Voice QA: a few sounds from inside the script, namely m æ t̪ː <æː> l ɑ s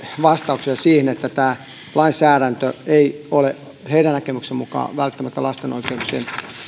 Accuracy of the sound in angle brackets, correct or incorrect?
incorrect